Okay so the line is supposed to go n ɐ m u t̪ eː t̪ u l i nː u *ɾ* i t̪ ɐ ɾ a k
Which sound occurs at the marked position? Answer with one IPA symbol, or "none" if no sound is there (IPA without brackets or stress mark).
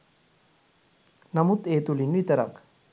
none